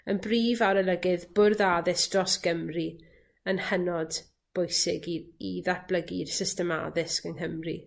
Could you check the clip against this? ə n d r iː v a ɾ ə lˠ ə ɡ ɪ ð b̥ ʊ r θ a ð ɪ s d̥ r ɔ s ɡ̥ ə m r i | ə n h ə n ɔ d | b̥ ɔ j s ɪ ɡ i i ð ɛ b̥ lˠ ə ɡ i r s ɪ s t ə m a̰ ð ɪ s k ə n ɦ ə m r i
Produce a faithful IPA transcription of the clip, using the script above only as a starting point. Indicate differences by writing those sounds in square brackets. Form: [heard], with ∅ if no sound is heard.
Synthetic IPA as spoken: ə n [b] r iː v a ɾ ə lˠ ə ɡ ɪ ð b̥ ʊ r [ð] a ð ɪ s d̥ r ɔ s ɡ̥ ə m r i | ə n h ə n ɔ d | b̥ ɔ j s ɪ ɡ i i ð [a] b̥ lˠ ə ɡ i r s ɪ s t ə m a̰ ð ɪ s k ə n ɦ ə m r i